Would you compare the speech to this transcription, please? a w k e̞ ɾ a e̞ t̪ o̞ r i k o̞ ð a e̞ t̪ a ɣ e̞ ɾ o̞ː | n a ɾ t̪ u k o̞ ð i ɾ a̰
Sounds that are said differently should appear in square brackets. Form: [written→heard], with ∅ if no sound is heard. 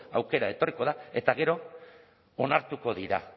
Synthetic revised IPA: a w k e̞ ɾ a e̞ t̪ o̞ r i k o̞ ð a e̞ t̪ a ɣ e̞ ɾ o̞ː | n a ɾ t̪ u k o̞ ð i ɾ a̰